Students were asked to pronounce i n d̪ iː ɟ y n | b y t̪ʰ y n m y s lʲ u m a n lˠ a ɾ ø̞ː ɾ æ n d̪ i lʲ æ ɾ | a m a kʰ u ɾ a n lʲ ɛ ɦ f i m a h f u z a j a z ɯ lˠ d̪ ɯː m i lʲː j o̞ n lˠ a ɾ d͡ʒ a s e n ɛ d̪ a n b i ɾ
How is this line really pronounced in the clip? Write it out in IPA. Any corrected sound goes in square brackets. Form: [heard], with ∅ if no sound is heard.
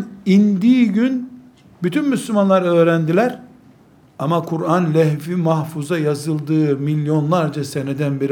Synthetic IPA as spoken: i n d̪ iː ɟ y n | b y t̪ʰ y n m y s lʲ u m a n lˠ a ɾ ø̞ː ɾ æ n d̪ i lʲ æ ɾ | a m a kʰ u ɾ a n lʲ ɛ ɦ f i m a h f u z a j a z ɯ lˠ d̪ ɯː m i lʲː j o̞ n lˠ a ɾ d͡ʒ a s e n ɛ d̪ [æ] n b i ɾ